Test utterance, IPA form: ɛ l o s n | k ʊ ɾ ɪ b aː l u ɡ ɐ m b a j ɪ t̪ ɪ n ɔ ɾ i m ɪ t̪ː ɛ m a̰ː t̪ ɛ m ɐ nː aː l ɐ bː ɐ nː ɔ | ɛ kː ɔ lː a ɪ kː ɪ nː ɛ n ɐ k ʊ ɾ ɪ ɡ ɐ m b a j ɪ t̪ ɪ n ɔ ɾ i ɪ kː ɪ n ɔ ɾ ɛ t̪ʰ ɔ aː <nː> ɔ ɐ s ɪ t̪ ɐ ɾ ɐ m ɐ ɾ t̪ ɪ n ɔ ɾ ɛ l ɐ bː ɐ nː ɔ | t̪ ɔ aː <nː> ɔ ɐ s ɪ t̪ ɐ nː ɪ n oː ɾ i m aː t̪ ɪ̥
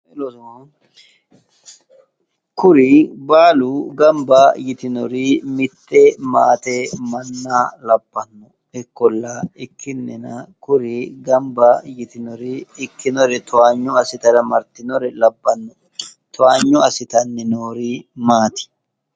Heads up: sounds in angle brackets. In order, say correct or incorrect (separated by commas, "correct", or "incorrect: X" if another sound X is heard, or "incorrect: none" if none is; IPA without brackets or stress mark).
incorrect: ɲː, incorrect: ɲː